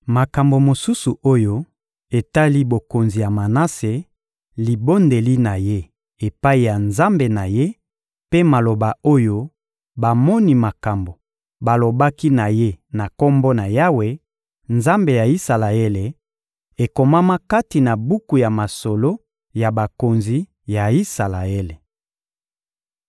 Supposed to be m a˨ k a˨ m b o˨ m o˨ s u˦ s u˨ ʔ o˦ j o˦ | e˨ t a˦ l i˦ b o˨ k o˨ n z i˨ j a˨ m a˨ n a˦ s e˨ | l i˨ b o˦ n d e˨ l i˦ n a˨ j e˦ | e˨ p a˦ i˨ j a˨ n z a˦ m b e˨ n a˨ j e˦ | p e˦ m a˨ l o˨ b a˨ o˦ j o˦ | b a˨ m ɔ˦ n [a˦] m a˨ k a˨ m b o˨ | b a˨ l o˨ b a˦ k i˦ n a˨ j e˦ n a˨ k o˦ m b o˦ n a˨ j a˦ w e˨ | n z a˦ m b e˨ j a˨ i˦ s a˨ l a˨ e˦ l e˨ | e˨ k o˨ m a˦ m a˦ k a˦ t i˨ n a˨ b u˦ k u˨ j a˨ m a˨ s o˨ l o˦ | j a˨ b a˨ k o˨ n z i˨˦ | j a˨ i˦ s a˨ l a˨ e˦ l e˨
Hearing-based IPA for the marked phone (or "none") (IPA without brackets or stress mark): i˦